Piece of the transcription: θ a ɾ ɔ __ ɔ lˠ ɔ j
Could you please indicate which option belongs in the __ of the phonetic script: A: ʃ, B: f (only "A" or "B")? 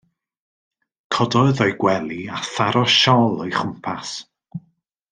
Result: A